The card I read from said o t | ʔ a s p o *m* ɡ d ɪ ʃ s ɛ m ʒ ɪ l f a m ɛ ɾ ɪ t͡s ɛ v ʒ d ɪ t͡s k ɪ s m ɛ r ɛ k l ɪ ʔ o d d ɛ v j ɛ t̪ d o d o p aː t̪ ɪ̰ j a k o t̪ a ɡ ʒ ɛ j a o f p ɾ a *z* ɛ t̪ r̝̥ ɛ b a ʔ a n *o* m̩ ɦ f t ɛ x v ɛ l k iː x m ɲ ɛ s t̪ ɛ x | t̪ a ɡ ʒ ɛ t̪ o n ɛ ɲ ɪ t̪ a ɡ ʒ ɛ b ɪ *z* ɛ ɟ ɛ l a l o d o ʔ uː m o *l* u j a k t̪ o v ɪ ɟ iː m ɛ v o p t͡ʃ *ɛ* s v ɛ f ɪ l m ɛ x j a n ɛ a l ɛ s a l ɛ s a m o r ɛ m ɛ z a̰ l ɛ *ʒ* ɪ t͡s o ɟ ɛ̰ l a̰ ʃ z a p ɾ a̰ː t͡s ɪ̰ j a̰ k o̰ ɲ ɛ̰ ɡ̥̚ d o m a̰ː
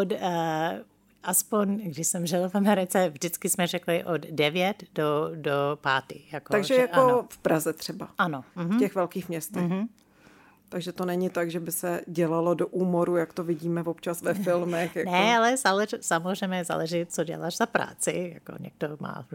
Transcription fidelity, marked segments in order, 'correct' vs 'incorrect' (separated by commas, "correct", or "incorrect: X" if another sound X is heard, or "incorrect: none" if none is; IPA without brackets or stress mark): incorrect: ɲ, correct, correct, incorrect: s, incorrect: ɾ, incorrect: a, correct